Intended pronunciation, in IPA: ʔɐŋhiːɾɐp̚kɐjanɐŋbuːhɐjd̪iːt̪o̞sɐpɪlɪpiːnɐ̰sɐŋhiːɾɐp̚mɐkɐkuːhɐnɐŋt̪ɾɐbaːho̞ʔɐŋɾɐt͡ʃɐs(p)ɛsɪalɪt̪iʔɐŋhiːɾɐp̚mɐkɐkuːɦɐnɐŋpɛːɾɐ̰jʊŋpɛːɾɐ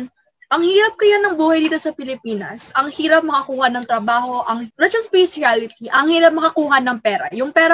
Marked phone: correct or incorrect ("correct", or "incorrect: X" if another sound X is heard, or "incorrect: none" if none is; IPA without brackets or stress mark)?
correct